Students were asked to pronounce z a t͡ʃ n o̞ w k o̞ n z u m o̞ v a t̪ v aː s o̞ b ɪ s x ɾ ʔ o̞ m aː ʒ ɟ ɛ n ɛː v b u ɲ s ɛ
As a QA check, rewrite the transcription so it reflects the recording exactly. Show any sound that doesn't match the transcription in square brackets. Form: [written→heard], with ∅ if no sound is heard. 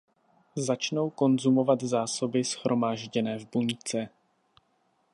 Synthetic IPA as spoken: z a t͡ʃ n o̞ w k o̞ n z u m o̞ v a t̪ [v→z] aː s o̞ b ɪ s x ɾ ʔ o̞ m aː ʒ ɟ ɛ n ɛː v b u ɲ [s→t͡s] ɛ